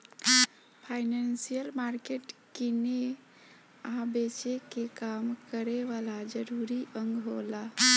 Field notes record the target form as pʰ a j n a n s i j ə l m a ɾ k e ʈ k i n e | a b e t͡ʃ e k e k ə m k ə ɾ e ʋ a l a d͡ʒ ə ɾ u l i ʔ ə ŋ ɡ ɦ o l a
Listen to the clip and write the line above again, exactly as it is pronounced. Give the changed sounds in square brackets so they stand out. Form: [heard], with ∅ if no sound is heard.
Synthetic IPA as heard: pʰ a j n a n s i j ə l m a ɾ k e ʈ k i n e | a b e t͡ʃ e k e k [a] m k ə ɾ e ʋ a l a d͡ʒ ə ɾ u [ɾ] i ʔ ə ŋ ɡ ɦ o l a